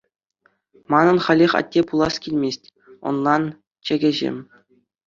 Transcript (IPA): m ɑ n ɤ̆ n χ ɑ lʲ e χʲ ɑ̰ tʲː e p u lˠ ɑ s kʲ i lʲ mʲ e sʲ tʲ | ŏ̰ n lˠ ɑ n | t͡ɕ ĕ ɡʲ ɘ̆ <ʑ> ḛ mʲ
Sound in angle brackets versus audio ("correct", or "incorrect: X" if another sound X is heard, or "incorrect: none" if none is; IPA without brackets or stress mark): correct